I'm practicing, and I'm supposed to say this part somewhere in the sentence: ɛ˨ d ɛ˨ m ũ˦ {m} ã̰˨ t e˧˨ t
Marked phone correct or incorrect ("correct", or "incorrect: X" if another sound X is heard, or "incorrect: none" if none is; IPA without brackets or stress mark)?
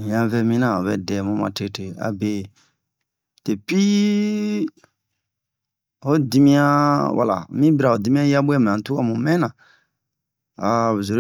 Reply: correct